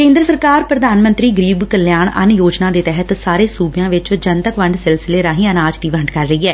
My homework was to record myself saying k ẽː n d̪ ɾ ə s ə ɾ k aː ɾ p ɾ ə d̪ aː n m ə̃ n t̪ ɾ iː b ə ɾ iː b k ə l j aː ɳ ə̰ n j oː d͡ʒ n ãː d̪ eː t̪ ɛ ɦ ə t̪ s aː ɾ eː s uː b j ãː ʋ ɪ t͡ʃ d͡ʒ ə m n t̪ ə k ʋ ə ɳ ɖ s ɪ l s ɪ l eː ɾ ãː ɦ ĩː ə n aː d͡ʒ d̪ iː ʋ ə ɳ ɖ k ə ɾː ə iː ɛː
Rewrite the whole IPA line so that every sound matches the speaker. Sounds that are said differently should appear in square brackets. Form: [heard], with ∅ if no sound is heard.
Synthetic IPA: k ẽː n d̪ ɾ ə s ə ɾ k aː ɾ p ɾ ə d̪ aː n m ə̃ n t̪ ɾ iː [ɡ] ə ɾ iː b k ə l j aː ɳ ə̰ n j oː d͡ʒ n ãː d̪ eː t̪ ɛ ɦ ə t̪ s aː ɾ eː s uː b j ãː ʋ ɪ t͡ʃ d͡ʒ ə [∅] n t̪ ə k ʋ ə ɳ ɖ s ɪ l s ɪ l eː ɾ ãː ɦ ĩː ə n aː d͡ʒ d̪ iː ʋ ə ɳ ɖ k ə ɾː ə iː ɛː